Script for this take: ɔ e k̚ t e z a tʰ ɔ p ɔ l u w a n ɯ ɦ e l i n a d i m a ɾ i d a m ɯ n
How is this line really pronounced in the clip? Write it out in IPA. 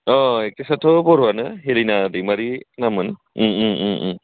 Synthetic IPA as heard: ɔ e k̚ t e s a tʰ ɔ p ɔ ɾ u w a n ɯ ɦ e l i n a d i m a ɾ i n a m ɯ n